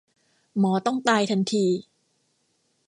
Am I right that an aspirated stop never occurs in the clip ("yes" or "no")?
no